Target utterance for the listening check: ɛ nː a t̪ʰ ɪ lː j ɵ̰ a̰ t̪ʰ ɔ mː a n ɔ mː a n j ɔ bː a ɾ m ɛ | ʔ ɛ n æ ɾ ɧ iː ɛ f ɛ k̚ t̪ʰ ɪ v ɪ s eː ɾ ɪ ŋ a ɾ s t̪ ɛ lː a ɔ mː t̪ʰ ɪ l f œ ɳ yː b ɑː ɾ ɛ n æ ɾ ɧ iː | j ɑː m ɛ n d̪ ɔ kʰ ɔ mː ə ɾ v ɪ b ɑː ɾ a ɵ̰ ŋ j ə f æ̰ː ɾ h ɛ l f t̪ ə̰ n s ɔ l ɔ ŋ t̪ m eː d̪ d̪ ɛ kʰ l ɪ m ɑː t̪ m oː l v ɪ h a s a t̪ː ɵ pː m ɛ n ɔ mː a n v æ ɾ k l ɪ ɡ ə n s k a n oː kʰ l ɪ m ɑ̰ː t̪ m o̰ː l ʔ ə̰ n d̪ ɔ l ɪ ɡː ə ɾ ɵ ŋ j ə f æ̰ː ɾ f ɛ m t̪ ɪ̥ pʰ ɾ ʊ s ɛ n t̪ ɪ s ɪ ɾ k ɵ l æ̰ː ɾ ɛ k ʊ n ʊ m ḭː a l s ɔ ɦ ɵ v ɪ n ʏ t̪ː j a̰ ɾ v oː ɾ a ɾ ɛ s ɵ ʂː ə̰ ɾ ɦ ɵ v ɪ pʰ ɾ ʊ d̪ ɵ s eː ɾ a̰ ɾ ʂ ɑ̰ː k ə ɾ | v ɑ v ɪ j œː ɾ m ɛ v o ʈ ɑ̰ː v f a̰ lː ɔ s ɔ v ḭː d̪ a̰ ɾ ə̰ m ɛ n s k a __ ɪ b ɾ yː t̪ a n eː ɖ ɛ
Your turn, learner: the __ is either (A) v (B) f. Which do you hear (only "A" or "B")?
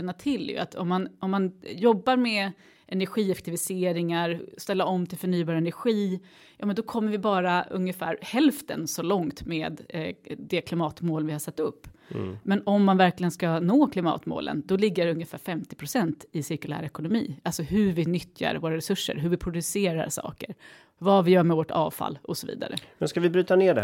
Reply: A